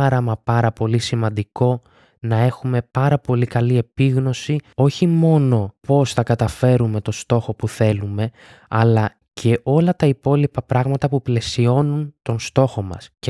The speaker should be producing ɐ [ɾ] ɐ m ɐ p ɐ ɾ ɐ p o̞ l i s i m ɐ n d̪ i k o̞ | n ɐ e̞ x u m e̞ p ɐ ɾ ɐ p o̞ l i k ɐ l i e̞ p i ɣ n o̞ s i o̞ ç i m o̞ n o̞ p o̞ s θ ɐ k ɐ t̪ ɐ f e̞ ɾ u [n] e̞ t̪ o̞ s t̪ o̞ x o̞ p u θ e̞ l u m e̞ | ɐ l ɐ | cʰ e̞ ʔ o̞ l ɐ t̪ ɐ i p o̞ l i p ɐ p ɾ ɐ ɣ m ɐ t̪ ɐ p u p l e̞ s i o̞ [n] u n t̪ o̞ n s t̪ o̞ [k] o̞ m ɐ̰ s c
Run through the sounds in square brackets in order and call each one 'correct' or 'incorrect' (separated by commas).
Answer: correct, incorrect, correct, incorrect